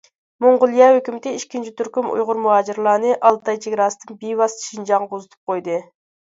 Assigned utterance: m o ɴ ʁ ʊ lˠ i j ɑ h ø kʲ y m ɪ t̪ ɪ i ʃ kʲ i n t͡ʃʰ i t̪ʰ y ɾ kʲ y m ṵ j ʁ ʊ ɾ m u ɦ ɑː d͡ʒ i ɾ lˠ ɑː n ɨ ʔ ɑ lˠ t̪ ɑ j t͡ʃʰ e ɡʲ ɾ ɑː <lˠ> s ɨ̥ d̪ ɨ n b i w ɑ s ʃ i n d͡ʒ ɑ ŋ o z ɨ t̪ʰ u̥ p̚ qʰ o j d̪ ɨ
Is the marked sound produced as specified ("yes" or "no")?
no